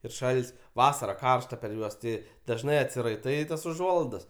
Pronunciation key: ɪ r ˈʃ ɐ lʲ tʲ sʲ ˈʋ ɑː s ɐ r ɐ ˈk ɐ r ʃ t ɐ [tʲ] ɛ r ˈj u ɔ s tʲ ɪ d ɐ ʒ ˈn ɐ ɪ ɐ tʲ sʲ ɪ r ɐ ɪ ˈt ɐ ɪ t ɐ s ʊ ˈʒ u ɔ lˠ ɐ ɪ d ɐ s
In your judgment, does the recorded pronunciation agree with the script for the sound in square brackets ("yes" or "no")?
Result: no